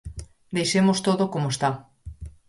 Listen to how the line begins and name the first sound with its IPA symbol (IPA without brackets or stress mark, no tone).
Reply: d̪